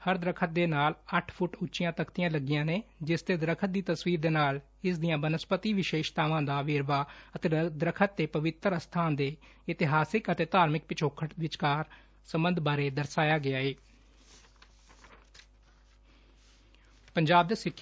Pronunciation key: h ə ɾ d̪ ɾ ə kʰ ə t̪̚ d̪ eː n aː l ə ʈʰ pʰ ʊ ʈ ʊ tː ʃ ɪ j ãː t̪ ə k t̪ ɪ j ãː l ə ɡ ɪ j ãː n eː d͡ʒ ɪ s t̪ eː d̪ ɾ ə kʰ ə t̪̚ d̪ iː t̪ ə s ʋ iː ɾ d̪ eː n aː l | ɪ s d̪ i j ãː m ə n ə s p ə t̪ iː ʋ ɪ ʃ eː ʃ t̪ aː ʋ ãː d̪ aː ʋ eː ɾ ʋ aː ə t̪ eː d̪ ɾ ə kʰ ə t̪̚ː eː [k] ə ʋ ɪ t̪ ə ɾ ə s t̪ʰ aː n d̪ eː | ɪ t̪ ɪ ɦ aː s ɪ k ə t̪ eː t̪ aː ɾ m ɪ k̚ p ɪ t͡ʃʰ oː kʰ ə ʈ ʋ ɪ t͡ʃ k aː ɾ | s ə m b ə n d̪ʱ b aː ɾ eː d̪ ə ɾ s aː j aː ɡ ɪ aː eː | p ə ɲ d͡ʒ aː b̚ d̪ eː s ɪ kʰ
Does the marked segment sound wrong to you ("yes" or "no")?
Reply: yes